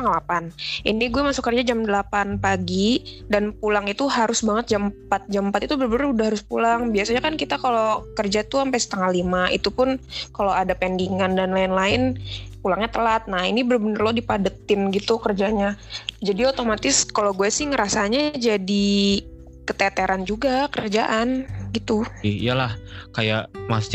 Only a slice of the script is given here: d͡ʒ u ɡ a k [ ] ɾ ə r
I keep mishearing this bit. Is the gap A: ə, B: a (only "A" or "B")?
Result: A